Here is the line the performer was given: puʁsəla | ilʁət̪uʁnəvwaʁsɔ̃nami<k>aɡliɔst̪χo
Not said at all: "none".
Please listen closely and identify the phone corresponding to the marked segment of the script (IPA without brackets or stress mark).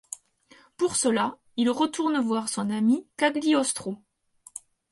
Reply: k